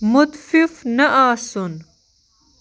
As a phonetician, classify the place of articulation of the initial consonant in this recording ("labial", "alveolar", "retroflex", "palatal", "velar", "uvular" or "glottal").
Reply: labial